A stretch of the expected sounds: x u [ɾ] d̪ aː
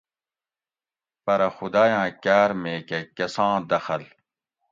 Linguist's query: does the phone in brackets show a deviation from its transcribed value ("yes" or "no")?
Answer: yes